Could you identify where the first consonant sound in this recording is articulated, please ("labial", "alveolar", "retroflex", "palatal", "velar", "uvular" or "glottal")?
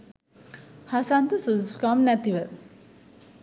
glottal